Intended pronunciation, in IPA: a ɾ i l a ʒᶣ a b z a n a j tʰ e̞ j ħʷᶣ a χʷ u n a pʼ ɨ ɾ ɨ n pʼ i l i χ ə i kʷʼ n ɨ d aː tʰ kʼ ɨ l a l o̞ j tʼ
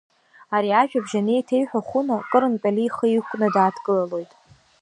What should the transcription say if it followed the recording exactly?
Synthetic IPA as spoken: a ɾ i a ʒᶣ a b ʒ a n e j tʰ e̞ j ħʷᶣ a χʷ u n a kʼ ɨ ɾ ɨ n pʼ a l i χ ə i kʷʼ n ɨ d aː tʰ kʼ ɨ l a l o̞ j tʼ